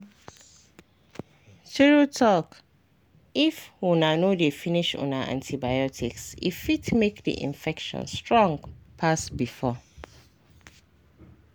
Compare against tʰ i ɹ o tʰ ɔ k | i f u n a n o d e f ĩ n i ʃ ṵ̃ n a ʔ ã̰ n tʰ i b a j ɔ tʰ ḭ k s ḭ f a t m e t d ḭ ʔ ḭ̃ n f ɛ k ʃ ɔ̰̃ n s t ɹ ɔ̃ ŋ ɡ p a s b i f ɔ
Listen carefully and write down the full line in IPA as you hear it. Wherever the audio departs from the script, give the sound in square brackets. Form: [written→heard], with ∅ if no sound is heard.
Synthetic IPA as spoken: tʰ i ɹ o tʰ ɔ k | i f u n a n o d e f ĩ n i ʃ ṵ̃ n a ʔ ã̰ n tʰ i b a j ɔ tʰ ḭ k s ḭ f [a→i] t m e [t→k] d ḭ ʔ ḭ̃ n f ɛ k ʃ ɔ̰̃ n s t ɹ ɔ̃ ŋ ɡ [p→pʰ] a s b i f ɔ